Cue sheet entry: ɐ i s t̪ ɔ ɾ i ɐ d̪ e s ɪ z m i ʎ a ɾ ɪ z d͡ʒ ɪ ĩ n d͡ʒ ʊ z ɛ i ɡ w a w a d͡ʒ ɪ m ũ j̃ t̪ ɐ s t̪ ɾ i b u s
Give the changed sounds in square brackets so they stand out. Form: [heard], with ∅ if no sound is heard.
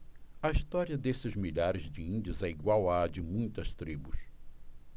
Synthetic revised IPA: ɐ i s t̪ ɔ ɾ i ɐ d̪ e s ɪ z m i ʎ a ɾ ɪ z d͡ʒ ɪ ĩ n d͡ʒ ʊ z ɛ i ɡ w a w a d͡ʒ ɪ m ũ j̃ t̪ ɐ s t̪ ɾ i b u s